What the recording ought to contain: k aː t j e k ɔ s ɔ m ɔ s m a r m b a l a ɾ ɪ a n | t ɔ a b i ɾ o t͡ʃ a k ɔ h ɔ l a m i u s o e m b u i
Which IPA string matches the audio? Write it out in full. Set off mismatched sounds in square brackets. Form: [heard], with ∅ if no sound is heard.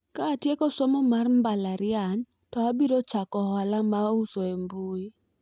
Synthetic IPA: k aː t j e k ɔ s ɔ m ɔ [∅] m a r m b a l a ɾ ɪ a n | t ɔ a b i ɾ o t͡ʃ a k ɔ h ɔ l a m [a] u s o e m b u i